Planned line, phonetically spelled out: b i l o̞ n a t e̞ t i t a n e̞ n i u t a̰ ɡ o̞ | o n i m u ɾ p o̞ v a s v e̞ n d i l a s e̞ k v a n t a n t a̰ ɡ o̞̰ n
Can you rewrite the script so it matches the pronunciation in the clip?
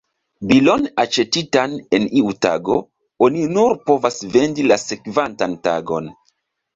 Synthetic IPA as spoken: b i l o̞ n a t͡ʃ e̞ t i t a n e̞ n i u t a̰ ɡ o̞ | o n i n u ɾ p o̞ v a s v e̞ n d i l a s e̞ k v a n t a n t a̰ ɡ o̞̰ n